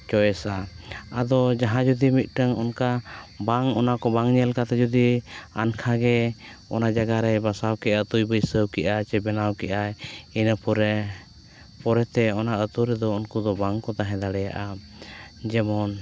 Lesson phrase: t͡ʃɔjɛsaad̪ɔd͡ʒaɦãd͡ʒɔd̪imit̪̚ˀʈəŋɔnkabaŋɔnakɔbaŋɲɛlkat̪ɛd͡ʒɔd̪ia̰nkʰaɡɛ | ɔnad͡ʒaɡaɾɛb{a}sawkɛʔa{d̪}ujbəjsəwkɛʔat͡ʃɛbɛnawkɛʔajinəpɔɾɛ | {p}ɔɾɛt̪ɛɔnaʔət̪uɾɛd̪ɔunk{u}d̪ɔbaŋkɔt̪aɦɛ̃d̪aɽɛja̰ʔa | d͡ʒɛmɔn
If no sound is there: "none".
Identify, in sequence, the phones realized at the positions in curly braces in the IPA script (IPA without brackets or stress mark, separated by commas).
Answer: a, t̪, p, u